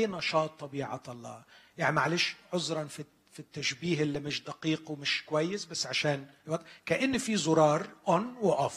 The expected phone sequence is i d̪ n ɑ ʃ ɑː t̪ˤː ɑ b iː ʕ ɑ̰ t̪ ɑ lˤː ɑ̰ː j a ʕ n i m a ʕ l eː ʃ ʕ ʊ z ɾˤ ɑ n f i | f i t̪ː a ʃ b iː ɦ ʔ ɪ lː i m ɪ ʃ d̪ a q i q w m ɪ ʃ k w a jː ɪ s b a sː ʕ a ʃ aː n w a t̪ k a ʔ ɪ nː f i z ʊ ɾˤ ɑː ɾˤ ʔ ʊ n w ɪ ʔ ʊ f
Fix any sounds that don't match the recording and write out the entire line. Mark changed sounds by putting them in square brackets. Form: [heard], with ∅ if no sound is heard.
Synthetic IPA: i [∅] n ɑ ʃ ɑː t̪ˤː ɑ b iː ʕ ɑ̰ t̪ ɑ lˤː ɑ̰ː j a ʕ n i m a ʕ l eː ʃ ʕ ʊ z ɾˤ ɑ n f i | f i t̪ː a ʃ b iː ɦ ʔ ɪ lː i m ɪ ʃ d̪ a q [iː] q w m ɪ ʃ k w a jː ɪ s b a sː ʕ a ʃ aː n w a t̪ k a ʔ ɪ nː f i z ʊ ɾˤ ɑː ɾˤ ʔ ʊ n w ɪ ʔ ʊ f